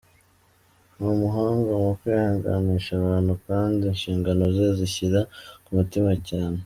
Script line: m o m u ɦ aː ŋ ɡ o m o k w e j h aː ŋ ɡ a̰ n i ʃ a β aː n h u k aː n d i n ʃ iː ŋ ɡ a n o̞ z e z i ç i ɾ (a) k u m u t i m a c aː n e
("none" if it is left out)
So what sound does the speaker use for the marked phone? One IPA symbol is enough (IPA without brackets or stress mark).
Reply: a